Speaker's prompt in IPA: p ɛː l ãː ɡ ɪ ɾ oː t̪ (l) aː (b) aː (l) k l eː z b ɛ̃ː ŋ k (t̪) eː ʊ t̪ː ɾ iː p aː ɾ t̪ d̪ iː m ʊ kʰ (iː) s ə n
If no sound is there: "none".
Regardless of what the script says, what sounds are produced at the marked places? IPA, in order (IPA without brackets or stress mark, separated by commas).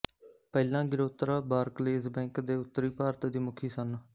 ɾ, b, ɾ, d̪, iː